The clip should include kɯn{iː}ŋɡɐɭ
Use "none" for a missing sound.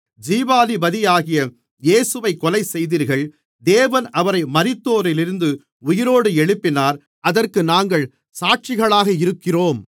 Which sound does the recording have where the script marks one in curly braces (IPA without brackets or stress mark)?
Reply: aː